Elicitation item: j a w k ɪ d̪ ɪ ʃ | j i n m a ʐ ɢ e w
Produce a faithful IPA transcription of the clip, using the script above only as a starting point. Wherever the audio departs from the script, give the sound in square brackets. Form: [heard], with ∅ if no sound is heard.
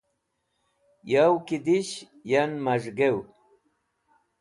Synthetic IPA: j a w k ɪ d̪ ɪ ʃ | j [a] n m a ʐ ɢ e w